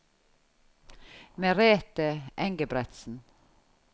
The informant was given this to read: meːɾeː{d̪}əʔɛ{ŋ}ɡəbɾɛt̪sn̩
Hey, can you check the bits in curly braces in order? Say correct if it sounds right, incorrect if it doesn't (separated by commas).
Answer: incorrect, correct